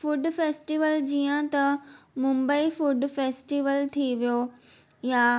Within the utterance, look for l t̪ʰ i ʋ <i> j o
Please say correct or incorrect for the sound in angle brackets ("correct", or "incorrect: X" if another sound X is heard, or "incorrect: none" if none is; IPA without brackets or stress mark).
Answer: correct